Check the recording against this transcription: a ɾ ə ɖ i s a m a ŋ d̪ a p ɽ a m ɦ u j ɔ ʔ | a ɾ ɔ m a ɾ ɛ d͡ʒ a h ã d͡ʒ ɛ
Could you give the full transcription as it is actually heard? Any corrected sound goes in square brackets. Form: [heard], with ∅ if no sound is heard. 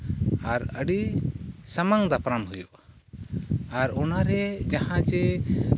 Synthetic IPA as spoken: a ɾ ə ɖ i s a m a ŋ d̪ a p [ɾ] a m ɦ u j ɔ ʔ | a ɾ ɔ [n] a ɾ ɛ d͡ʒ a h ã d͡ʒ ɛ